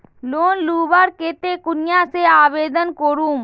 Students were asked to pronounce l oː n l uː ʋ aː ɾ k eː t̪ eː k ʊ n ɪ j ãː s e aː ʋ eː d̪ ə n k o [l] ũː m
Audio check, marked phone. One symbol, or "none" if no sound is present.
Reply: ɾ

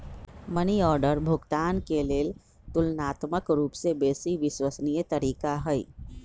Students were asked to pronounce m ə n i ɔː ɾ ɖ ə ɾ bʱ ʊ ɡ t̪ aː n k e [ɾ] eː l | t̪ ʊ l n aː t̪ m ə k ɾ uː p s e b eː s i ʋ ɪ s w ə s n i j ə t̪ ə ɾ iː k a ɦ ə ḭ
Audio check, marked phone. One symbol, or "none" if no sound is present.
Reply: l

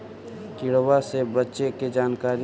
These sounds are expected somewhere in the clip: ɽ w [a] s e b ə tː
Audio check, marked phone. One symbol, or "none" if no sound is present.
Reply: a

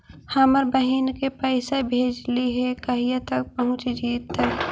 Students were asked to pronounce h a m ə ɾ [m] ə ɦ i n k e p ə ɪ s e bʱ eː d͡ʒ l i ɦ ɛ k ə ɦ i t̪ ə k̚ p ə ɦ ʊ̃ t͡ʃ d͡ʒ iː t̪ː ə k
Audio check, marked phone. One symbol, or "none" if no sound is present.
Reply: b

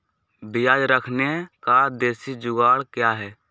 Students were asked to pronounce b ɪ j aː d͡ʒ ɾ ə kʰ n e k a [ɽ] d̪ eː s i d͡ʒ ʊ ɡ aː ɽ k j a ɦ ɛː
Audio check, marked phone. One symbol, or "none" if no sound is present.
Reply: none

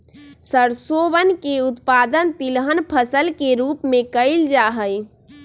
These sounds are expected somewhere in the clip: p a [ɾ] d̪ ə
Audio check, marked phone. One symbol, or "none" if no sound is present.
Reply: none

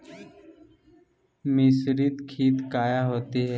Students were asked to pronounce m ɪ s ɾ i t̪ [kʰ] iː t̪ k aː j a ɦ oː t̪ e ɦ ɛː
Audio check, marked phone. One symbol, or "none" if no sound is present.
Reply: kʰ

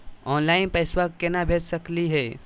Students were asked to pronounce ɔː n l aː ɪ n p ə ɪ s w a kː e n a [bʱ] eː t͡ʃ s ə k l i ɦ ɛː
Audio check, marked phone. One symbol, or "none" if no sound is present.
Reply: bʱ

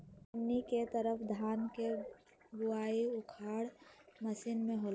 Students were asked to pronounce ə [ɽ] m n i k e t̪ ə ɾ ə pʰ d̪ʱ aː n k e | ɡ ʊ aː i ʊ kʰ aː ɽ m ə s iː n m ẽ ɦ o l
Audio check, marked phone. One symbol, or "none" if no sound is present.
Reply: none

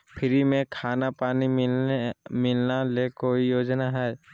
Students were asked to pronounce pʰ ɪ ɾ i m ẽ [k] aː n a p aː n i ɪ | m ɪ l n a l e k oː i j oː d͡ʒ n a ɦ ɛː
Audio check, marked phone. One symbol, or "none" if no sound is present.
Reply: kʰ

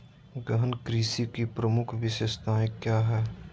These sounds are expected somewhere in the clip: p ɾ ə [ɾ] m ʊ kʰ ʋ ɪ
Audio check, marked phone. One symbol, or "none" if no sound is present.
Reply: none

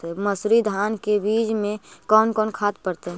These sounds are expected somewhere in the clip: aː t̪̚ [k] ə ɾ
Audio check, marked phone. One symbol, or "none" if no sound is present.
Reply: p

